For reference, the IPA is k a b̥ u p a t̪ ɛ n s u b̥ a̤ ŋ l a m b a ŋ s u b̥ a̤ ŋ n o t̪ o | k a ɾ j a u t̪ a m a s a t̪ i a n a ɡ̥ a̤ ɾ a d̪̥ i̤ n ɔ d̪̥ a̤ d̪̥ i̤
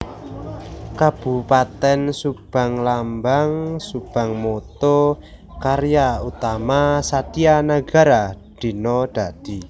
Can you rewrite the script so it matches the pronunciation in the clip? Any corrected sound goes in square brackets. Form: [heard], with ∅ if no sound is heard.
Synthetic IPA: k a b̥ u p a t̪ ɛ n s u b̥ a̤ ŋ l a m b a ŋ s u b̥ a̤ ŋ [m] o t̪ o | k a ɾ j a u t̪ a m a s a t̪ i a n a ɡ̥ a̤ ɾ a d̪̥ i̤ n ɔ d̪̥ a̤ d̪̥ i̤